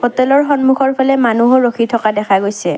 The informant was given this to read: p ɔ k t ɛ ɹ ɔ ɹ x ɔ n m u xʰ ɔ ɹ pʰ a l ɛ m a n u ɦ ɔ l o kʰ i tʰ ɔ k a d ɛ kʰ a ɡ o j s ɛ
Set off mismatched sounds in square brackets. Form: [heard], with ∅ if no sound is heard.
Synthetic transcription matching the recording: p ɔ [∅] t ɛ [l] ɔ ɹ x ɔ n m u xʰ ɔ ɹ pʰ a l ɛ m a n u ɦ ɔ [ɹ] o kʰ i tʰ ɔ k a d ɛ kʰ a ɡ o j s ɛ